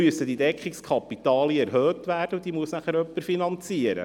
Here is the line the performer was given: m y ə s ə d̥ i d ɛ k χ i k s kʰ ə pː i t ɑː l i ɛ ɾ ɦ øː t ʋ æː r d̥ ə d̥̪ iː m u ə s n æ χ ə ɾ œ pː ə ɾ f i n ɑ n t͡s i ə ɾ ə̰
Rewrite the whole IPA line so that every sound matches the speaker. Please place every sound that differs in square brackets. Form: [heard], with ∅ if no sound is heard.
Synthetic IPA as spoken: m y ə s ə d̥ i d ɛ k χ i k s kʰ [ɑ] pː i t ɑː l i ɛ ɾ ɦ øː t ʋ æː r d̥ ə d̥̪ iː m u ə s n æ χ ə ɾ œ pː ə ɾ f i n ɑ n t͡s i ə ɾ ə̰